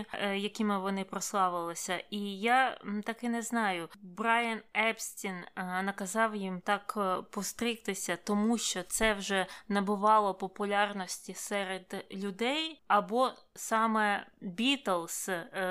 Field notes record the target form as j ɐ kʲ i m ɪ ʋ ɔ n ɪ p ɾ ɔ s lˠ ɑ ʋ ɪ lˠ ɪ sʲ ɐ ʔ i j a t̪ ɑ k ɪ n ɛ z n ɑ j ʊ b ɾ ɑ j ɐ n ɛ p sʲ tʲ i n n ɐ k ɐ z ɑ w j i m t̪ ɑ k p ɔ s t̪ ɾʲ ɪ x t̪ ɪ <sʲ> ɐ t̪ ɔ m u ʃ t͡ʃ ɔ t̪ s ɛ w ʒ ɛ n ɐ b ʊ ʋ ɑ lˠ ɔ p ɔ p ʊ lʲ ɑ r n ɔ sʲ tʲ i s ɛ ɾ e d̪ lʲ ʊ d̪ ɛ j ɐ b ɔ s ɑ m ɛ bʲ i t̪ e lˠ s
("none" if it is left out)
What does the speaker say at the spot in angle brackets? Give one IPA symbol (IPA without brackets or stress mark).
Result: sʲ